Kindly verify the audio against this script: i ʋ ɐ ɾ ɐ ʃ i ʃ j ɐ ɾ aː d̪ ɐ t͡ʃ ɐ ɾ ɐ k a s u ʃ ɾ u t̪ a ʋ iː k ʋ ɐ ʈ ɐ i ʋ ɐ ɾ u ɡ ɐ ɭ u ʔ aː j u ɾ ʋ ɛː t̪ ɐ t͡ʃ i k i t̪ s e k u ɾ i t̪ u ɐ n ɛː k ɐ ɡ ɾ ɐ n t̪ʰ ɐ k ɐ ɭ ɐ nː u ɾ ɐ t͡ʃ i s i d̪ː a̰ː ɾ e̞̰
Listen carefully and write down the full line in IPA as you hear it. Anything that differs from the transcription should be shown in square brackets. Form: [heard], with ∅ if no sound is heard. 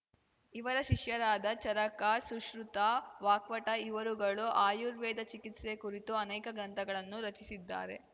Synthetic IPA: i ʋ ɐ ɾ ɐ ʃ i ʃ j ɐ ɾ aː d̪ ɐ t͡ʃ ɐ ɾ ɐ k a s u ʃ ɾ u t̪ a ʋ [aː] k ʋ ɐ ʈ ɐ i ʋ ɐ ɾ u ɡ ɐ ɭ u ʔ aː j u ɾ ʋ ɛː [d̪] ɐ t͡ʃ i k i t̪ s e k u ɾ i t̪ u ɐ n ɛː k ɐ ɡ ɾ ɐ n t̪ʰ ɐ [ɡ] ɐ ɭ ɐ nː u ɾ ɐ t͡ʃ i s i d̪ː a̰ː ɾ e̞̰